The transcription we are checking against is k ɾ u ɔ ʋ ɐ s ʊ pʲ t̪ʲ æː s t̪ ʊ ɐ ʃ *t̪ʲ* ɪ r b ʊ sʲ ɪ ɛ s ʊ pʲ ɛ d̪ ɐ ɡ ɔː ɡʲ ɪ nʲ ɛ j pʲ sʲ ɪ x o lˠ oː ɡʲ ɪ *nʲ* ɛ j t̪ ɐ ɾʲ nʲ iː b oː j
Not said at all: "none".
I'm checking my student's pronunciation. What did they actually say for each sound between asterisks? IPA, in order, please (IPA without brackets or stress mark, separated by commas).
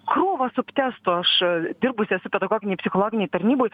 d̪ʲ, nʲ